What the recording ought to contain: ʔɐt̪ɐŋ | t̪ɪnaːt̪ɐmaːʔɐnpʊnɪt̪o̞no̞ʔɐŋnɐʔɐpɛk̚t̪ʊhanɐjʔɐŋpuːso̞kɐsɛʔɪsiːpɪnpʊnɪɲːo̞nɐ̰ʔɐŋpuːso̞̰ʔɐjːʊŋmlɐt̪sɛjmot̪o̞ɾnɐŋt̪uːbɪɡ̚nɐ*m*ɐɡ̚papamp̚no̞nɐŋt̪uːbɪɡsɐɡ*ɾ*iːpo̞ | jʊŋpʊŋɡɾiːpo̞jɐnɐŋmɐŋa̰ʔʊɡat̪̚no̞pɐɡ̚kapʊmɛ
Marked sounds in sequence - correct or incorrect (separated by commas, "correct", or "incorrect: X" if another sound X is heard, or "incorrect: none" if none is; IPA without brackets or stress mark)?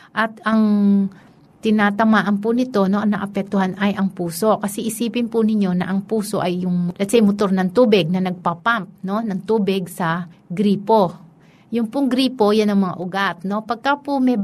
incorrect: n, correct